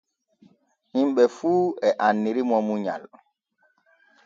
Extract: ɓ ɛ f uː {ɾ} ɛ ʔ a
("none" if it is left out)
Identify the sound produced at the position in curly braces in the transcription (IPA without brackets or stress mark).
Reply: none